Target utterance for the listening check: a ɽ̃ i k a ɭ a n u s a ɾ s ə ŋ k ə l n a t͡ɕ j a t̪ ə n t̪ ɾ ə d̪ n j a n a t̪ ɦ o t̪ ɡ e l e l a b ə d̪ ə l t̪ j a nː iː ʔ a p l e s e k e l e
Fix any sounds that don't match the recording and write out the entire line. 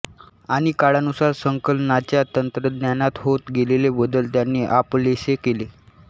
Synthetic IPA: a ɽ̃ i k a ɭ a n u s a ɾ s ə ŋ k ə l n a t͡ɕ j a t̪ ə n t̪ ɾ ə d̪ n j a n a t̪ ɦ o t̪ ɡ e l e l e b ə d̪ ə l t̪ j a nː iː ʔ a p l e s e k e l e